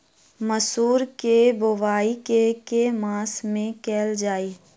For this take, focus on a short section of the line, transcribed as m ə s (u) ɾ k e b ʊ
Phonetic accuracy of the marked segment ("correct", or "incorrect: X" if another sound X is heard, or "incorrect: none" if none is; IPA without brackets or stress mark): incorrect: uː